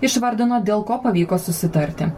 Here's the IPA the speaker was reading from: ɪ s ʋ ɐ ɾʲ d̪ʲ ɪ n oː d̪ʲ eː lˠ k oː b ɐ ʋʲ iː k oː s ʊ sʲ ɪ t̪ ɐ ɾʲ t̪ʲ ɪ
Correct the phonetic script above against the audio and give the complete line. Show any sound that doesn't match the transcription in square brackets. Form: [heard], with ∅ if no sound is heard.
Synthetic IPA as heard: ɪ [ʃ] ʋ ɐ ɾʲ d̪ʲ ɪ n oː d̪ʲ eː lˠ k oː [p] ɐ ʋʲ iː k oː s ʊ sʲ ɪ t̪ ɐ ɾʲ t̪ʲ ɪ